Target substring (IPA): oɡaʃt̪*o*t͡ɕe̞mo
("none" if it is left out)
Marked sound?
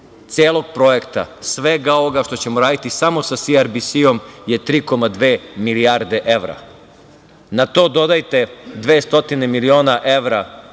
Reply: o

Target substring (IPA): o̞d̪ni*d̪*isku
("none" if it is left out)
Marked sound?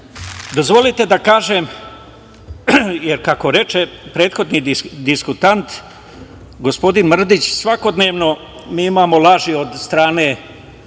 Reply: d̪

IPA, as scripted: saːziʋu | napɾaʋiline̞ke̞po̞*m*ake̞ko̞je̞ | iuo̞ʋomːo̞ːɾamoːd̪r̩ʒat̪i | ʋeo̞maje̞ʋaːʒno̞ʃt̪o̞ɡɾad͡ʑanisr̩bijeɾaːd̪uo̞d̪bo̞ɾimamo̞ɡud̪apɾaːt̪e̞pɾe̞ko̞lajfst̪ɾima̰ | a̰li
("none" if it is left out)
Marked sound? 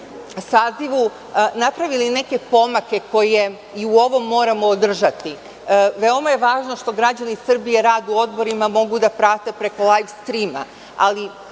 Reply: m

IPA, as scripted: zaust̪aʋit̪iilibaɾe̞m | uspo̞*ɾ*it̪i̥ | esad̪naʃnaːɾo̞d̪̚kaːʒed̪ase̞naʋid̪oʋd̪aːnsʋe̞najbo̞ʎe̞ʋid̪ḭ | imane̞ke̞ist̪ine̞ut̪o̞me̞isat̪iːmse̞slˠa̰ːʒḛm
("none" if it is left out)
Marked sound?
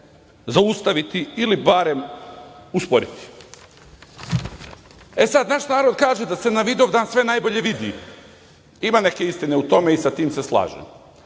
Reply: ɾ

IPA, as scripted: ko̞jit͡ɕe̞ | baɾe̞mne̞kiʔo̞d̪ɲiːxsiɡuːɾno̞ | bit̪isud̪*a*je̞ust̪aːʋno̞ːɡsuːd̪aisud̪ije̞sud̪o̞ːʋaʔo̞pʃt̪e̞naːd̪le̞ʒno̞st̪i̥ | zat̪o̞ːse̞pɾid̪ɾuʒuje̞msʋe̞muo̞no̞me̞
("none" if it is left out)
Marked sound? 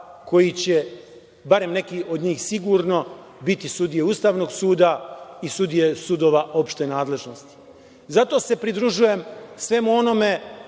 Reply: i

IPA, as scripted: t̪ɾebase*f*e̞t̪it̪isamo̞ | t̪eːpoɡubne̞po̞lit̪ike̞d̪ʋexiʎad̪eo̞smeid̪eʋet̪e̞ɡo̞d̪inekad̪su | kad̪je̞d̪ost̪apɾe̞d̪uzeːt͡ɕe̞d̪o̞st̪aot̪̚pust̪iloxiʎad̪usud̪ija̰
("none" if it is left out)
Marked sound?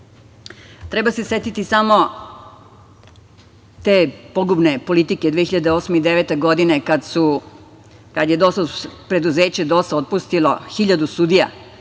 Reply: s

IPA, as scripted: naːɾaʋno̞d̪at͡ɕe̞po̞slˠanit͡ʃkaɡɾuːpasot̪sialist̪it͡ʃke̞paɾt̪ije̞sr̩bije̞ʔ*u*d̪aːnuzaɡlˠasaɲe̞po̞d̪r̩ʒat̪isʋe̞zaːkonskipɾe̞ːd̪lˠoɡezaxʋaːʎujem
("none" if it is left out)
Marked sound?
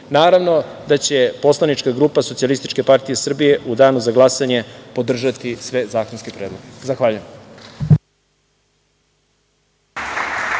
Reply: u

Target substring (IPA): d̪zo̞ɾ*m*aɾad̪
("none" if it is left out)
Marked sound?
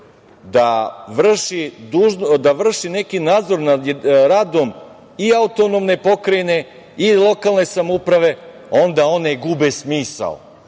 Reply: n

